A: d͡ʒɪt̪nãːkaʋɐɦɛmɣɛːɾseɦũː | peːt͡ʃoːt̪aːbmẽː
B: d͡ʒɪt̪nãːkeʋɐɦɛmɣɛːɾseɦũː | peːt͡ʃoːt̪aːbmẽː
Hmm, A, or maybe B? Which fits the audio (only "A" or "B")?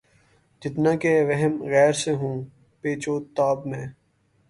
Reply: B